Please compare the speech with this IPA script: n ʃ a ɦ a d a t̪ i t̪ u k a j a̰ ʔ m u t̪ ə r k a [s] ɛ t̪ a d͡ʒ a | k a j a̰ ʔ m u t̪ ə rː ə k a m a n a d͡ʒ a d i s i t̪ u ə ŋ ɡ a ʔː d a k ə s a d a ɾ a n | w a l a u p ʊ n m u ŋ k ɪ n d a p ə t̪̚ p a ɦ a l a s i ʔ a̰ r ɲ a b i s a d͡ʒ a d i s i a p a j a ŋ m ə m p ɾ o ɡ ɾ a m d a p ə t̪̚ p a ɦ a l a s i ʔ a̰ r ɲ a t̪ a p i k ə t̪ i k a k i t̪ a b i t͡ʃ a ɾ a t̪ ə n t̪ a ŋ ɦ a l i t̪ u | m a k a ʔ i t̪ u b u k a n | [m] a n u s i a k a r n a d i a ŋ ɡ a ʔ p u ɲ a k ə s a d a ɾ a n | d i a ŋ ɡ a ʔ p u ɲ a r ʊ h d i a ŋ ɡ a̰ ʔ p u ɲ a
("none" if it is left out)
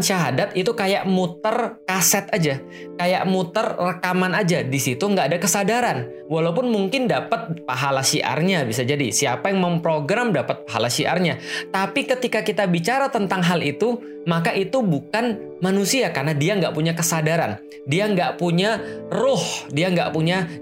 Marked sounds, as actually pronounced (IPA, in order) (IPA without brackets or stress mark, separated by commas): s, m